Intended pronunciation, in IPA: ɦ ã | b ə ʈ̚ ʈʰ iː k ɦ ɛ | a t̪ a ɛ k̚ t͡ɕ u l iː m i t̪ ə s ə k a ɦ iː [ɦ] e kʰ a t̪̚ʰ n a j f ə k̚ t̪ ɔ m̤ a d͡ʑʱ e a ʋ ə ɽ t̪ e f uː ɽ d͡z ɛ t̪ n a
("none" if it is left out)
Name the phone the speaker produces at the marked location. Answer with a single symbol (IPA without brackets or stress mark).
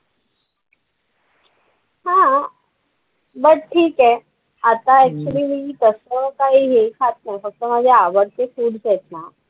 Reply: ɦ